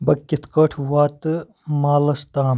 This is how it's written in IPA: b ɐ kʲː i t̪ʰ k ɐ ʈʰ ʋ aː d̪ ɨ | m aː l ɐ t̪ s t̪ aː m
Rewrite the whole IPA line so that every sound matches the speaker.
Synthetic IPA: b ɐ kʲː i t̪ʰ k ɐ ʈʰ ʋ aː t̪ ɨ | m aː l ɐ s t̪ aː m